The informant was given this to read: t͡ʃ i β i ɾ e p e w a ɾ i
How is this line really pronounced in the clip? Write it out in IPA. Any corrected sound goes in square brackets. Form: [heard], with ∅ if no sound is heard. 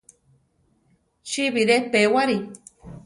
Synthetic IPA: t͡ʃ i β i ɾ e p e w a ɾ i

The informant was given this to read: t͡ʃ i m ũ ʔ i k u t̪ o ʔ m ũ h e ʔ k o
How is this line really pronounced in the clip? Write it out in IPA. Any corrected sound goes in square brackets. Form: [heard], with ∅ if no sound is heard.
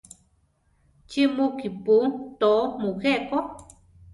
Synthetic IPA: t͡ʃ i m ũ [k] i [p] u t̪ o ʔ m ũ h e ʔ k o

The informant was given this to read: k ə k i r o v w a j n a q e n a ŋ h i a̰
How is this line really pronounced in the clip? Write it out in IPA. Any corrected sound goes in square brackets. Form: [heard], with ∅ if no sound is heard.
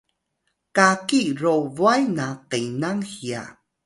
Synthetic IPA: k [a] k i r o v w a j n a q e n a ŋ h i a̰

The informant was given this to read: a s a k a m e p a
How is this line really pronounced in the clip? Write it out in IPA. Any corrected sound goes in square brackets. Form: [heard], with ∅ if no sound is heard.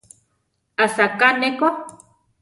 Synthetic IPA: a s a k a [n] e [k] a

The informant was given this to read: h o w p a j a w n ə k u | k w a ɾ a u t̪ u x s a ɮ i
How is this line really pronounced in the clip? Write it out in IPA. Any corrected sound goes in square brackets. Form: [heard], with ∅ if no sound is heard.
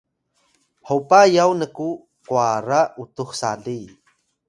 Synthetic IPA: h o w p a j a w n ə k u | k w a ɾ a u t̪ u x s a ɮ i

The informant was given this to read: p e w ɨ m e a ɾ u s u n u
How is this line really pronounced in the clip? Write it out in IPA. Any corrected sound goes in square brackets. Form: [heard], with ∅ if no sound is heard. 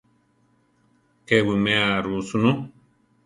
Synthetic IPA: [k] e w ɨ m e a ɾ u s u n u

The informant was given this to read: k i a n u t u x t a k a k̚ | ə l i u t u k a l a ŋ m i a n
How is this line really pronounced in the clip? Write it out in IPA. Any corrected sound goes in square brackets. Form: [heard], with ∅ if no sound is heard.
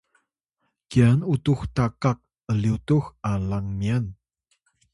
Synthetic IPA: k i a n u t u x t a k a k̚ | ə l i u t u [x] a l a ŋ m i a n

